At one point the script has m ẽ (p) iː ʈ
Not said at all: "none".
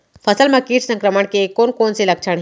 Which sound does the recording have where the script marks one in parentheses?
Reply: k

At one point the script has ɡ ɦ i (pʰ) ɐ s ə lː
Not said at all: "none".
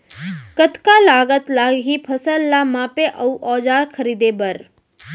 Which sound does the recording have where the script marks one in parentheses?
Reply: pʰ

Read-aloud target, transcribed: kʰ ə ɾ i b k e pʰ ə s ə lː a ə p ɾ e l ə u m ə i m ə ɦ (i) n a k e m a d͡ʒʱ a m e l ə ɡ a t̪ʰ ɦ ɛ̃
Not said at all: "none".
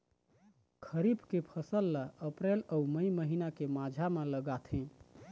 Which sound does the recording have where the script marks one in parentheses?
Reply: i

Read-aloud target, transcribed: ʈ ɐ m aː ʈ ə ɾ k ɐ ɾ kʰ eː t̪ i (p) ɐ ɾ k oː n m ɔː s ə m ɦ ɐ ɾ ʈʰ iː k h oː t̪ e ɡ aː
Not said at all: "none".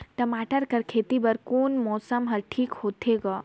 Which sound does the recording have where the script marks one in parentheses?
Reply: b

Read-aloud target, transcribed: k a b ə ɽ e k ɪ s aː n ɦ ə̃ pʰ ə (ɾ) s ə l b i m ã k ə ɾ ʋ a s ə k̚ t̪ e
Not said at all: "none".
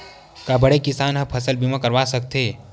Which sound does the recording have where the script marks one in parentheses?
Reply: none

